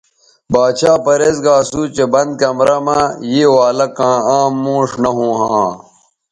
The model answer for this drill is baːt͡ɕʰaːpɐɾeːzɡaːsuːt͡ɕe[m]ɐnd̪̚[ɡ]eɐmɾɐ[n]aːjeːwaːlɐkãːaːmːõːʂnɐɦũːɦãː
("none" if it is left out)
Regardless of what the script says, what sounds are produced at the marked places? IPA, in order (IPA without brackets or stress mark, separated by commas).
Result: b, k, m